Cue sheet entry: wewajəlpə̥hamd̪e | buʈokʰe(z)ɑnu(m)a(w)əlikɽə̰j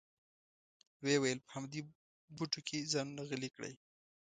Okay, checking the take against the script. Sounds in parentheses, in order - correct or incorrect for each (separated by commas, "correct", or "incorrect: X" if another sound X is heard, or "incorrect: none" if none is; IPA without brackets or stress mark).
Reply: correct, incorrect: n, incorrect: ɣ